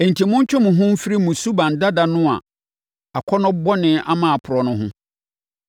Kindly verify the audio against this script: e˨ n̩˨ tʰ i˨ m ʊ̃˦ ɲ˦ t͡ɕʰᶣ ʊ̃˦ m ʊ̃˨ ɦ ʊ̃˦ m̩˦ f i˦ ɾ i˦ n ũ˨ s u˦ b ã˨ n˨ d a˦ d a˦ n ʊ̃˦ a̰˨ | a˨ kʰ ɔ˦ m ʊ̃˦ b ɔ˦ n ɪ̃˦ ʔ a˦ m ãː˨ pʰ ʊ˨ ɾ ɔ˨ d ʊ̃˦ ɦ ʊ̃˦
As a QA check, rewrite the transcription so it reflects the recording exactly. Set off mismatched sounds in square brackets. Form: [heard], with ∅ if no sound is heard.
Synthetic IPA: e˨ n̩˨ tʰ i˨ m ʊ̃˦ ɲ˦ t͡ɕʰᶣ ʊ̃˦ m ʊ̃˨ ɦ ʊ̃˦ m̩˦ f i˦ ɾ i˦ [m] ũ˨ s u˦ b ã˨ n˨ d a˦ d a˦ n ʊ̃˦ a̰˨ | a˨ kʰ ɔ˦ [n] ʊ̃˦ b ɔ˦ n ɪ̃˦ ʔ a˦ m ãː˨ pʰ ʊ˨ ɾ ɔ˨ [n] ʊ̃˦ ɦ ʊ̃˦